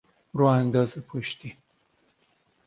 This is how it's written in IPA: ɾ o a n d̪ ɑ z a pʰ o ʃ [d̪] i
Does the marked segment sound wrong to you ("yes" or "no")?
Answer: yes